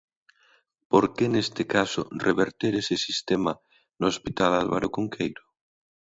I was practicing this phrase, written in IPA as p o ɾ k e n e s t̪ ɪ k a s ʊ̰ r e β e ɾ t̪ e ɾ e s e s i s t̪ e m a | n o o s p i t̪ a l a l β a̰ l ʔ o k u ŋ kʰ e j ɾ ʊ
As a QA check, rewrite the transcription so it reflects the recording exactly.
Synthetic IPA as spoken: p o ɾ k e n e s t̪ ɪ k a s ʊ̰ r e β e ɾ t̪ e ɾ e s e s i s t̪ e m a | n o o s p i t̪ a l a l β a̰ ɾ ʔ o k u ŋ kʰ e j ɾ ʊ